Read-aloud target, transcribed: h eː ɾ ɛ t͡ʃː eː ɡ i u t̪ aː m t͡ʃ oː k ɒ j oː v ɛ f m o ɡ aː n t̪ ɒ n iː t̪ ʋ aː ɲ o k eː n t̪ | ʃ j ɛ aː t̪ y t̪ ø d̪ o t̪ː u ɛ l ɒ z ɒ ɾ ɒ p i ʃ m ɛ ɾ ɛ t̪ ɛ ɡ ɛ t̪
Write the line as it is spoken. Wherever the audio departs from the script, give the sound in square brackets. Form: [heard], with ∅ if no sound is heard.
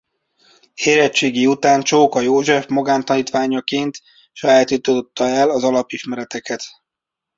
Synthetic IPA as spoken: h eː ɾ ɛ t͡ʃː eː ɡ i u t̪ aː [n] t͡ʃ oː k ɒ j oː [ʒ] ɛ f m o ɡ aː n t̪ ɒ n iː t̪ ʋ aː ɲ [ɒ] k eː n t̪ | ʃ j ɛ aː t̪ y t̪ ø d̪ o t̪ː [ɒ] ɛ l ɒ z ɒ [l] ɒ p i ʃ m ɛ ɾ ɛ t̪ ɛ [k] ɛ t̪

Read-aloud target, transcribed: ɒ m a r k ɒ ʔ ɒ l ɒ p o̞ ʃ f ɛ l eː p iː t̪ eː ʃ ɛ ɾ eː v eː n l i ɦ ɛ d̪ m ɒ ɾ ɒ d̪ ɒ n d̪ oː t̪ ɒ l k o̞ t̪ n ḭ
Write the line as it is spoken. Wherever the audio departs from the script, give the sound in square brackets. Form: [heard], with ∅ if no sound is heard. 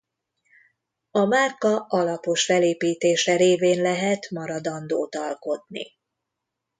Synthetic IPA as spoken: ɒ m a r k ɒ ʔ ɒ l ɒ p o̞ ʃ f ɛ l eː p iː t̪ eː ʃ ɛ ɾ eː v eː n l [ɛ] ɦ ɛ [t̪] m ɒ ɾ ɒ d̪ ɒ n d̪ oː t̪ ɒ l k o̞ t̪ n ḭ

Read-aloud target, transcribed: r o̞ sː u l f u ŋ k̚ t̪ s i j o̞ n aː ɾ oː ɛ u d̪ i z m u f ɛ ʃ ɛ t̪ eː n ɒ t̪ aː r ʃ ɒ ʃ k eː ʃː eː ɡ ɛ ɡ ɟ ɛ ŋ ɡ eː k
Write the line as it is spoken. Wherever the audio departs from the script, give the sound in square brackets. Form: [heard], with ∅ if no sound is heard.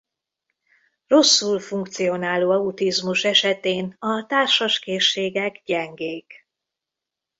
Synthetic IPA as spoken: r o̞ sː u l f u ŋ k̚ t̪ s i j o̞ n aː [l] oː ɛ u [t̪] i z m u [ʃ] ɛ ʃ ɛ t̪ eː n ɒ t̪ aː r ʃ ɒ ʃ k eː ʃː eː ɡ ɛ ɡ ɟ ɛ ŋ ɡ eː k

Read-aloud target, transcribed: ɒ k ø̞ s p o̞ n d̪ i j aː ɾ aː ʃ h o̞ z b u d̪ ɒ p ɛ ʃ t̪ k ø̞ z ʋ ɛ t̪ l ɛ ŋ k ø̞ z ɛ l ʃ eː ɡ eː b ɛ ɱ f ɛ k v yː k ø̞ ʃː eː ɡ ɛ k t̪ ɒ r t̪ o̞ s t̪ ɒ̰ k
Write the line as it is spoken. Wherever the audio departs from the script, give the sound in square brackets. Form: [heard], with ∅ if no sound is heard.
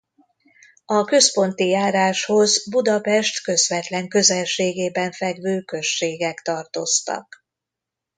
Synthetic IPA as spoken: ɒ k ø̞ s p o̞ n [t̪] i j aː ɾ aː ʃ h o̞ z b u d̪ ɒ p ɛ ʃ t̪ k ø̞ z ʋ ɛ t̪ l ɛ ŋ k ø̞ z ɛ l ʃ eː ɡ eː b ɛ ɱ f ɛ [ɡ] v [øː] k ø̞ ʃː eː ɡ ɛ k t̪ ɒ r t̪ o̞ s t̪ ɒ̰ k

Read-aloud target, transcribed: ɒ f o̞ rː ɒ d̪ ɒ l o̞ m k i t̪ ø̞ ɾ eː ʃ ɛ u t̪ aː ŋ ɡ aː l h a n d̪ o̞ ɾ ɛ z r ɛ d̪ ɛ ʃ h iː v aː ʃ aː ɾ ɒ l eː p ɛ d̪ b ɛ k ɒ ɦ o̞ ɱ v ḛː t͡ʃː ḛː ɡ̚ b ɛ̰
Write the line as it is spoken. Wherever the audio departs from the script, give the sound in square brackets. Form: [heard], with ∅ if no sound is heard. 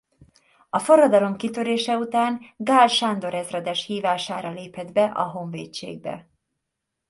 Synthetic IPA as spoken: ɒ f o̞ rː ɒ d̪ ɒ l o̞ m k i t̪ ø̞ ɾ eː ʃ ɛ u t̪ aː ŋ ɡ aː l [ʃ] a n d̪ o̞ ɾ ɛ z r ɛ d̪ ɛ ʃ h iː v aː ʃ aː ɾ ɒ l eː p ɛ d̪ b ɛ [ʔ] ɒ ɦ o̞ ɱ v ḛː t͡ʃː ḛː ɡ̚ b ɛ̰

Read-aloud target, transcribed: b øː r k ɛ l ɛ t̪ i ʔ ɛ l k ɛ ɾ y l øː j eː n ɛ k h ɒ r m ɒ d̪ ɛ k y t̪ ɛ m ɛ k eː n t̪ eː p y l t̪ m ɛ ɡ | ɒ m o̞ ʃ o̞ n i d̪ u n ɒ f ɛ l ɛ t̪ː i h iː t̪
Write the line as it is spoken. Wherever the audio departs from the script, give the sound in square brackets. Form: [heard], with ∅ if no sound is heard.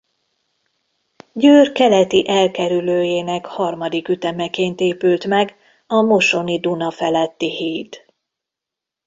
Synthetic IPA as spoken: [ɟ] øː r k ɛ l ɛ t̪ i ʔ ɛ l k ɛ ɾ y l øː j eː n ɛ k h ɒ r m ɒ d̪ [i] k y t̪ ɛ m ɛ k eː n t̪ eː p y l t̪ m ɛ ɡ | ɒ m o̞ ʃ o̞ n i d̪ u n ɒ f ɛ l ɛ t̪ː i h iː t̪

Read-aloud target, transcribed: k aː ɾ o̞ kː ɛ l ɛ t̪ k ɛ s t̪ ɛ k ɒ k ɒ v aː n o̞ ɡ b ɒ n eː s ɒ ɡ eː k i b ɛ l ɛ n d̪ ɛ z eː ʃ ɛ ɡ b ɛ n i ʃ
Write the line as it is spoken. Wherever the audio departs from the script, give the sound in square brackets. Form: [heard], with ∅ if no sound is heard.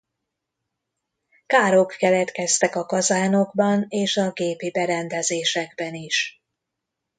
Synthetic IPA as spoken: k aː ɾ o̞ kː ɛ l ɛ t̪ k ɛ s t̪ ɛ k ɒ k ɒ [z] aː n o̞ ɡ b ɒ n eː [ʃ] ɒ ɡ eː [p] i b ɛ [ɾ] ɛ n d̪ ɛ z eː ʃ ɛ ɡ b ɛ n i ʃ

